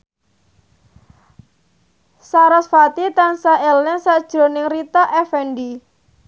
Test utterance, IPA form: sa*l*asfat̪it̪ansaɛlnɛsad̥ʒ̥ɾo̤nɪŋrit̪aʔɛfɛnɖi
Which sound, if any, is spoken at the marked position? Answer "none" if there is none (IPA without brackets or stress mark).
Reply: ɾ